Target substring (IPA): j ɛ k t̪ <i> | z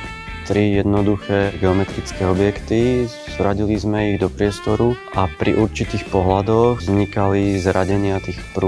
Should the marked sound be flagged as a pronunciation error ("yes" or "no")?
no